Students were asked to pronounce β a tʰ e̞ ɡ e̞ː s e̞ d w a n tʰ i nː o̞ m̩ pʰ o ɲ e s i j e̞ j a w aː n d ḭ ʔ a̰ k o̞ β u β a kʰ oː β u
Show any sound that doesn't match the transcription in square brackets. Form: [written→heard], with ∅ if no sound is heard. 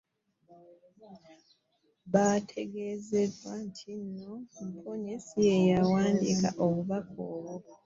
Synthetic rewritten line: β a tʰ e̞ ɡ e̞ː [s→z] e̞ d w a n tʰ i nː o̞ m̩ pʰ o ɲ e s i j e̞ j a w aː n d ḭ [ʔ→k] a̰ [k→ʔ] o̞ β u β a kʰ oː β [u→o]